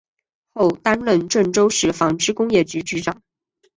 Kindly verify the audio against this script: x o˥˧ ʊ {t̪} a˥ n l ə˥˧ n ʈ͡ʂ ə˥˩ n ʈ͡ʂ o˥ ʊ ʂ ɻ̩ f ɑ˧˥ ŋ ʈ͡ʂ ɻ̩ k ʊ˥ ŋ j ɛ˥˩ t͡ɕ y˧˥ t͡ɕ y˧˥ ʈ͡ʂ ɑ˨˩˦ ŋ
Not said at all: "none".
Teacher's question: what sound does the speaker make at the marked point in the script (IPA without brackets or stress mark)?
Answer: t̪